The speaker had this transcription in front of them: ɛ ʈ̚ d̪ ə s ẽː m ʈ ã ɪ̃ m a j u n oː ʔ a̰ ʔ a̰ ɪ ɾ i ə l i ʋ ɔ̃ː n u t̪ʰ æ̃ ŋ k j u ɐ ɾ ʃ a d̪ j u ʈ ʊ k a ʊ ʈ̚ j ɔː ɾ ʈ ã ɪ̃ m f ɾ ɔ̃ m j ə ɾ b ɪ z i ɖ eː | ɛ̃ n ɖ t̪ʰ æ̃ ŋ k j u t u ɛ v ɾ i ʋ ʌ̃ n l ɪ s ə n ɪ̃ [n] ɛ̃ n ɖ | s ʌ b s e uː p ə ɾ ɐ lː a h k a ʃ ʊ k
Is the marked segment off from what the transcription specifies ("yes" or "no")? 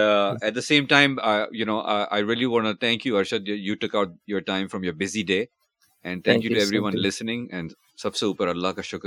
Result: yes